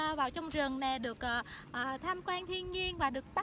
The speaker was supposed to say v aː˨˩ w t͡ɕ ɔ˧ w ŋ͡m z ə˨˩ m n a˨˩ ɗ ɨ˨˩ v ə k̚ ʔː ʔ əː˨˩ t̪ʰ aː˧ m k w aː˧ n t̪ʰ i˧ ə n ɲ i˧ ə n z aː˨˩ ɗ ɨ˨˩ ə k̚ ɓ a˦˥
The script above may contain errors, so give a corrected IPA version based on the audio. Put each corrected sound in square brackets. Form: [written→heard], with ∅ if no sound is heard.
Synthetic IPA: v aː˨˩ w t͡ɕ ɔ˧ w ŋ͡m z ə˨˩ [m→ŋ] n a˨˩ ɗ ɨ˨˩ [v→∅] ə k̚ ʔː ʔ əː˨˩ t̪ʰ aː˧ m k w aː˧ n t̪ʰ i˧ ə n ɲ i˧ ə n [z→v] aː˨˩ ɗ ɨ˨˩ ə k̚ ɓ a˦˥